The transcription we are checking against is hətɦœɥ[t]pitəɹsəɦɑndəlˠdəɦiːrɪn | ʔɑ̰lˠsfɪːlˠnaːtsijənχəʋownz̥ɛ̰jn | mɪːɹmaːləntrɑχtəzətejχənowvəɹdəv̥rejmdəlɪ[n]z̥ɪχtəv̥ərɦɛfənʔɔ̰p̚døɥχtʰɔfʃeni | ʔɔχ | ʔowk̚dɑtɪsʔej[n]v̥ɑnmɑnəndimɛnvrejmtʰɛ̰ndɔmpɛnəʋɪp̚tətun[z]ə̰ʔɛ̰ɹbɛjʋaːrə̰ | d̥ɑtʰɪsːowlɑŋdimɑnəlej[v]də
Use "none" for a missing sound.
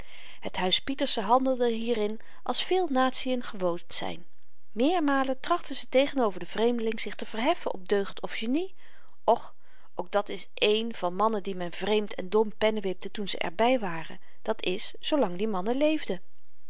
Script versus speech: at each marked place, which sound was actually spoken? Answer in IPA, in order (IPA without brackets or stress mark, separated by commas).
s, ŋ, n, z, v